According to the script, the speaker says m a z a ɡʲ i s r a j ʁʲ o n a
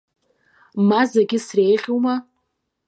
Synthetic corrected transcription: m a z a ɡʲ ɪ s r e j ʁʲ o m a

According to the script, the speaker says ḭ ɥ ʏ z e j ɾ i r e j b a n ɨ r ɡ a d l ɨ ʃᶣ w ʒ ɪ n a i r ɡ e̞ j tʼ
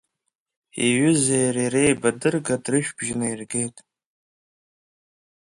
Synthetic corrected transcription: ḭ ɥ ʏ z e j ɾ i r e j b a d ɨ r ɡ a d r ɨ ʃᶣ b ʒ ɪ n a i r ɡ e̞ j tʼ

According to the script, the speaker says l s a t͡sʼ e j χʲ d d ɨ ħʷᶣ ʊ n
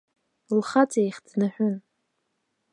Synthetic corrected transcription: l χ a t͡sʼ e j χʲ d n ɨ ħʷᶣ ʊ n

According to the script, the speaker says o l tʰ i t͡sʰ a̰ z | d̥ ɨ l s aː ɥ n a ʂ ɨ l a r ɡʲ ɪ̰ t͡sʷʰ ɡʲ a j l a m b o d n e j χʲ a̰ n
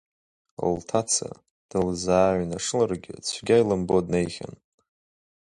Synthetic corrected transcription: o l tʰ a t͡sʰ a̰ | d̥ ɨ l z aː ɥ n a ʂ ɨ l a r ɡʲ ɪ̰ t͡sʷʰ ɡʲ a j l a m b o d n e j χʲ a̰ n

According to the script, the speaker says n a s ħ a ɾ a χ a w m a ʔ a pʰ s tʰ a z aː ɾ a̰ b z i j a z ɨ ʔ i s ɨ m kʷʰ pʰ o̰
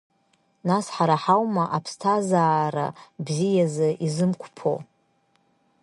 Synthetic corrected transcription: n a s ħ a ɾ a ħ a w m a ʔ a pʰ s tʰ a z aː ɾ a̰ b z i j a z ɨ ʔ i z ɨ m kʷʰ pʰ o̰

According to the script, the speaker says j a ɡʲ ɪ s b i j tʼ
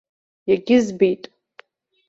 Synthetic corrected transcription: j a ɡʲ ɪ z b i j tʼ

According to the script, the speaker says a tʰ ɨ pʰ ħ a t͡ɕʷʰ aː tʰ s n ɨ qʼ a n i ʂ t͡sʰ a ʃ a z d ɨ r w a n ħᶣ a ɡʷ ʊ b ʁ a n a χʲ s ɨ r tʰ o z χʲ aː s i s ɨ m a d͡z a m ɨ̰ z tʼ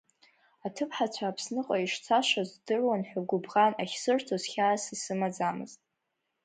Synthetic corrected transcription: a tʰ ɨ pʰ ħ a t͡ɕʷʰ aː pʰ s n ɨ qʼ a i ʂ t͡sʰ a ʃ a z d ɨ r w a n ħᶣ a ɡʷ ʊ b ʁ a n a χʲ s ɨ r tʰ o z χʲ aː s i s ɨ m a d͡z a m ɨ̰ z tʼ

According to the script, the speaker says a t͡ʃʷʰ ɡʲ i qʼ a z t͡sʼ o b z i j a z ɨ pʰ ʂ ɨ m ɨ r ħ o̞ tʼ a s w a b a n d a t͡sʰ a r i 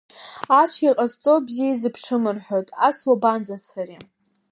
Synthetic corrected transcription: a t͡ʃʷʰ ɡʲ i qʼ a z t͡sʼ o b z i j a z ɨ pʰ ʂ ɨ m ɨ r ħ o̞ tʼ a s w a b a n d͡z a t͡sʰ a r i

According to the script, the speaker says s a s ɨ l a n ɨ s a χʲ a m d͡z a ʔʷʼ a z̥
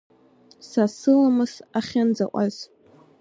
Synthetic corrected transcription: s a s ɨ l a m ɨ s a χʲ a n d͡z a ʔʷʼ a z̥

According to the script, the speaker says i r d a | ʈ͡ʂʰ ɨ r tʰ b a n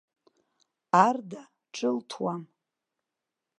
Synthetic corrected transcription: a r d a | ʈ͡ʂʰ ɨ l tʰ w a m

